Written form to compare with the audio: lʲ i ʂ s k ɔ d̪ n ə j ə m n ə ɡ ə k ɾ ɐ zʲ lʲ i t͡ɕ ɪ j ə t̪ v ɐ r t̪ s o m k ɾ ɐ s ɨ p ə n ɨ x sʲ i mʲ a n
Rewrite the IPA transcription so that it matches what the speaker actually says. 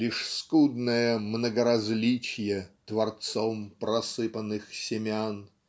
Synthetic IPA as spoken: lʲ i ʂ s k u d̪ n ə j ə m n ə ɡ ə ɾ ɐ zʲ lʲ i t͡ɕ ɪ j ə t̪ v ɐ r t̪ s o m p ɾ ɐ s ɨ p ə n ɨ x sʲ ɪ mʲ a n